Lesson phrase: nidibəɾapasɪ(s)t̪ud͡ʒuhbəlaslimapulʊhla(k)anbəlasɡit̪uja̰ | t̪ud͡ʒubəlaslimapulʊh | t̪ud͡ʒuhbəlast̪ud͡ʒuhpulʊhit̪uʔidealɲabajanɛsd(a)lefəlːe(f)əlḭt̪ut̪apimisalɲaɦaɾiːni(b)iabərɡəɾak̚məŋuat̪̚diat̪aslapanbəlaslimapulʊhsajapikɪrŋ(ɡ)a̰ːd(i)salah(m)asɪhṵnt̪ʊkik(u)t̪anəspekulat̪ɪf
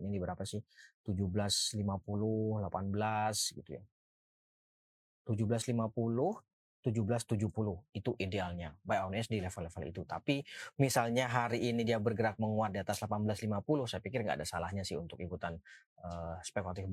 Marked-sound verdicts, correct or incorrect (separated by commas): incorrect, incorrect, incorrect, correct, incorrect, correct, incorrect, incorrect, correct